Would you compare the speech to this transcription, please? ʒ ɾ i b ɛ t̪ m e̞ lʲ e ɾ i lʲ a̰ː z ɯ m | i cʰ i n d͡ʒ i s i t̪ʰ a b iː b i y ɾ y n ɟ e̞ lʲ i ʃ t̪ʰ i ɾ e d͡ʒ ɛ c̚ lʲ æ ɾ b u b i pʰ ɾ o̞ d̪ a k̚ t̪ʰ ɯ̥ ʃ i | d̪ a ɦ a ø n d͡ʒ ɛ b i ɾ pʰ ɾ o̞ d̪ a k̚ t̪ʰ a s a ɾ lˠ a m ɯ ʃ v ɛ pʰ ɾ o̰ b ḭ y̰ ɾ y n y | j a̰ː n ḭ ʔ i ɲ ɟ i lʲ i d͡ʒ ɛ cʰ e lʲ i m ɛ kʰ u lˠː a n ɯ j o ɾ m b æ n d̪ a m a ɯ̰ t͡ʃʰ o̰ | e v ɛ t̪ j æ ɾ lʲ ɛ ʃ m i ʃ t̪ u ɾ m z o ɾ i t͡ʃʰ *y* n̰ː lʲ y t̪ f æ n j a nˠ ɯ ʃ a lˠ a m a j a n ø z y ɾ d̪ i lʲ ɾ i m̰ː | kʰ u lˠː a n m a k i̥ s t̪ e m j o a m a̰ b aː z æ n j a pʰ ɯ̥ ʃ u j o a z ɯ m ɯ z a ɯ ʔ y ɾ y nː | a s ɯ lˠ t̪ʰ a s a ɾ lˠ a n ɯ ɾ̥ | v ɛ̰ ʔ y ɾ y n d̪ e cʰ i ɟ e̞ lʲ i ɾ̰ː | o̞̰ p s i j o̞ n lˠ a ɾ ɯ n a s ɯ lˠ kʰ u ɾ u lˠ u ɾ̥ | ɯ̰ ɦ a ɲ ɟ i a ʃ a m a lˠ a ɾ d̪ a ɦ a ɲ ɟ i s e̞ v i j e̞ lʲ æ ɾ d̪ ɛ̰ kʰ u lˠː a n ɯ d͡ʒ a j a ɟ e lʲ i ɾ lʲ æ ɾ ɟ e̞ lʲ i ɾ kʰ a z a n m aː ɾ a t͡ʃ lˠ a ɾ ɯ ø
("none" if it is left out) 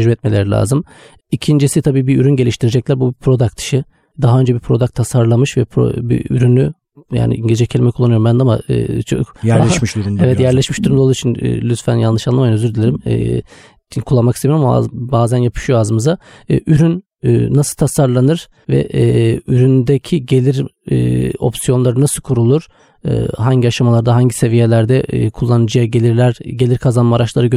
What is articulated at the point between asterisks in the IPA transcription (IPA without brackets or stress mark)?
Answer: i